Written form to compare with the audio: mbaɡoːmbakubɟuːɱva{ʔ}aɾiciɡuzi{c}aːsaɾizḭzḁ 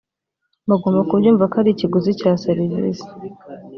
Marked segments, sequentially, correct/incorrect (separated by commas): incorrect, correct